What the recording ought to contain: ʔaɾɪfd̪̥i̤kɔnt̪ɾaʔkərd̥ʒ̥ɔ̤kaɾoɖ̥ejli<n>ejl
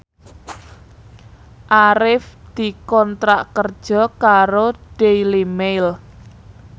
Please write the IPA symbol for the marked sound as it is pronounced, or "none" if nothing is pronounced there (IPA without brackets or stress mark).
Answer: m